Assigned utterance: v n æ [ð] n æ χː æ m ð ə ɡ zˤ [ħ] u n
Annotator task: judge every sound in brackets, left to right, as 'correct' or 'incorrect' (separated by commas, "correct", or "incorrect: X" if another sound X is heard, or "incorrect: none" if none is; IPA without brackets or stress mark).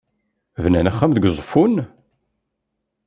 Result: incorrect: none, incorrect: f